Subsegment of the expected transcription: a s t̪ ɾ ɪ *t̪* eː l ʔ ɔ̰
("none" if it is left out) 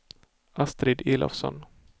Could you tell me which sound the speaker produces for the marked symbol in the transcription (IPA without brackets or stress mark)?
d̪